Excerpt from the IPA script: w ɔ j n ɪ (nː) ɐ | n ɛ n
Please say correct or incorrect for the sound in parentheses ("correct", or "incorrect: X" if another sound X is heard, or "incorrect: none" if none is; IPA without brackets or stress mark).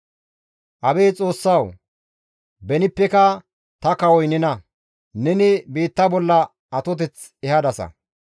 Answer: incorrect: n